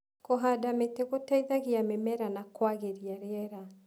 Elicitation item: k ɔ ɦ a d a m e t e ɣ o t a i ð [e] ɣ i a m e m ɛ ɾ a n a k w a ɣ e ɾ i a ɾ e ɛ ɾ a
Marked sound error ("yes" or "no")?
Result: yes